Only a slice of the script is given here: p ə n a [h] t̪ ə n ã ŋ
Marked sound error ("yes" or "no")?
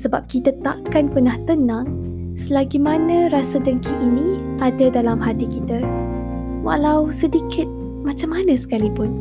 no